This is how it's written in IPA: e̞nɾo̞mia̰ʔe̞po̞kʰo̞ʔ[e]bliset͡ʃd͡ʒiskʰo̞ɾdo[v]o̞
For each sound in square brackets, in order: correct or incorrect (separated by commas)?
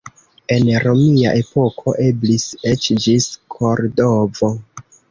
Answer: correct, correct